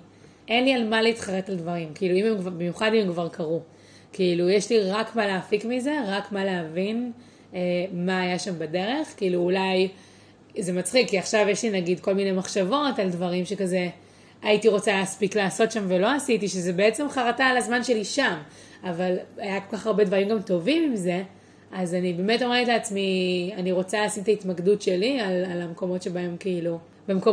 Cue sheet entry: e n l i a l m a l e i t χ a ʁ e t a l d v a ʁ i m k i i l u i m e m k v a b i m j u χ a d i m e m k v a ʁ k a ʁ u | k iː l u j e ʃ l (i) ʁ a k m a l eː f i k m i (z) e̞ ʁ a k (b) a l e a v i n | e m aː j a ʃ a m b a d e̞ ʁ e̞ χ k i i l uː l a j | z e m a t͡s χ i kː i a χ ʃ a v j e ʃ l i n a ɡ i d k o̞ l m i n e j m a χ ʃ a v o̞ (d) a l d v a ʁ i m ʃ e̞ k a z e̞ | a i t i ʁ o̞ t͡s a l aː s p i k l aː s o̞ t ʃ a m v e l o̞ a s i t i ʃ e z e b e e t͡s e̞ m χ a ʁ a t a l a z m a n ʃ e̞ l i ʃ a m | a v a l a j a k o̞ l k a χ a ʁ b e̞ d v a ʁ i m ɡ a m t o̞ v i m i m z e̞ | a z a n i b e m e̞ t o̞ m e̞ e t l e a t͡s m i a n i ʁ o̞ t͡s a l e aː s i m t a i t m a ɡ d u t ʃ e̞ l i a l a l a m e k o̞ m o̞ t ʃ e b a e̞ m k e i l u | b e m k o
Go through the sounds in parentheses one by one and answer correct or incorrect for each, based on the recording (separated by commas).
correct, correct, incorrect, incorrect